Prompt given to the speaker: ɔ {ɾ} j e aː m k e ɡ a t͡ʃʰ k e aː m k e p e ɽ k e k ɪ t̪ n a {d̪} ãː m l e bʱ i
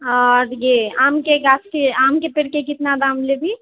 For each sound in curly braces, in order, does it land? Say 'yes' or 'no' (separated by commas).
yes, yes